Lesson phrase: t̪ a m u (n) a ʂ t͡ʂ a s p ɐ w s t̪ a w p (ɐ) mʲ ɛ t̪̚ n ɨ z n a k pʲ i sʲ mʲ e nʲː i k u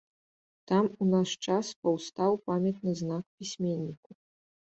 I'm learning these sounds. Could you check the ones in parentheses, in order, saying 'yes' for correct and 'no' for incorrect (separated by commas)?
yes, no